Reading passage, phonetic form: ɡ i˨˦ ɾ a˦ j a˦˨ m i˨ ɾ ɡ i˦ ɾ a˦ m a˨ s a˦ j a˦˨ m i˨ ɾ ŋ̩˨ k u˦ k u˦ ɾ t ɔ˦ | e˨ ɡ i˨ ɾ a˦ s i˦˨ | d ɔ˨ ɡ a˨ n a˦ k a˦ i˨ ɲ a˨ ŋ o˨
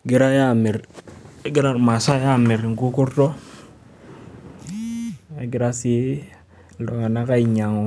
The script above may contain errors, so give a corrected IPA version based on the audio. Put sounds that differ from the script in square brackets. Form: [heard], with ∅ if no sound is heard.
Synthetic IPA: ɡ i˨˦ ɾ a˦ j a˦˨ m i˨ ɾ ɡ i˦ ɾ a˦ m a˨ s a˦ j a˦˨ m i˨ ɾ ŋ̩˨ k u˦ k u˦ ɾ t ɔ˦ | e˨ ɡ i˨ ɾ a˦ s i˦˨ | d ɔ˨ [ŋ] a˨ n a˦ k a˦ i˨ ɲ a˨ ŋ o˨